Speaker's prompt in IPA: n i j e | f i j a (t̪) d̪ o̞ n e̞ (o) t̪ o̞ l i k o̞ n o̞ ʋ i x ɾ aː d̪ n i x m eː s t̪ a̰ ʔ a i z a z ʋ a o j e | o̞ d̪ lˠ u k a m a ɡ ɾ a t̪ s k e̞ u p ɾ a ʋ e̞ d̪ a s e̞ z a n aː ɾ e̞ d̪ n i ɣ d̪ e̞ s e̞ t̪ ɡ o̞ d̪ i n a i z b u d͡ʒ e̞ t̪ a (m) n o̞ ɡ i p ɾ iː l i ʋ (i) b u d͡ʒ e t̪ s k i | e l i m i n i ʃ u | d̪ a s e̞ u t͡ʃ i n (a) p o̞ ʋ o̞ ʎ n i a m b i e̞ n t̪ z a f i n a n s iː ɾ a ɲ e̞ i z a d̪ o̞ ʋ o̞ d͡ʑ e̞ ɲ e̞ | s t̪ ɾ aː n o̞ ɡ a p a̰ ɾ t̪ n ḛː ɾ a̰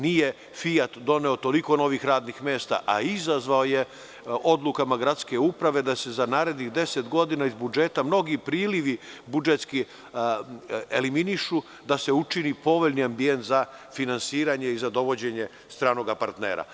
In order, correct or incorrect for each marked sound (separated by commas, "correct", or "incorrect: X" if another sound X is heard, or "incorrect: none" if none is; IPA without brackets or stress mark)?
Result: correct, correct, correct, correct, incorrect: i